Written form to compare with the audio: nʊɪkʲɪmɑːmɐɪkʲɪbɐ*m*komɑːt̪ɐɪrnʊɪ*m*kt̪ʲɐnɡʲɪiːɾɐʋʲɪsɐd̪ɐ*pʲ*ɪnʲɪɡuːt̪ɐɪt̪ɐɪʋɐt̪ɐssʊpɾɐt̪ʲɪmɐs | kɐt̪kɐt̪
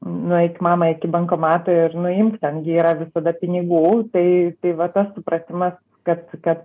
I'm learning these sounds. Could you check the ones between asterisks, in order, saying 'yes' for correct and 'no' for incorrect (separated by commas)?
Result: no, yes, yes